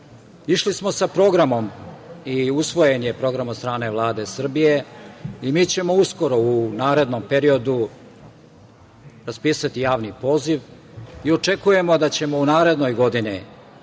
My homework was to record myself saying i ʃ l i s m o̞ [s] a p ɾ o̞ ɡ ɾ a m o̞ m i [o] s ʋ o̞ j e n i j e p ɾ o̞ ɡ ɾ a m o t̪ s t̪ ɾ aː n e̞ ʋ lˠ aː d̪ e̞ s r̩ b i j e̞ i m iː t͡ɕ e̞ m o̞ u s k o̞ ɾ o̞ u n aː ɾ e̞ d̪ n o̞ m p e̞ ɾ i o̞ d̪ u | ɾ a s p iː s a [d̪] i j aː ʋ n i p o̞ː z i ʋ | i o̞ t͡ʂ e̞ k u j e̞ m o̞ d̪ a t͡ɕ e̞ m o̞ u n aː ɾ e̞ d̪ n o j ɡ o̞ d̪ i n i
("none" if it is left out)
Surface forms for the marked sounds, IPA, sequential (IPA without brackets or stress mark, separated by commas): s, u, t̪